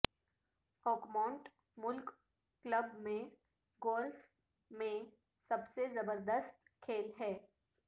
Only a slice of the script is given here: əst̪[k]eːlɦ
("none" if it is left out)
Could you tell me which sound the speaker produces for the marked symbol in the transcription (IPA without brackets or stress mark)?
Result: kʰ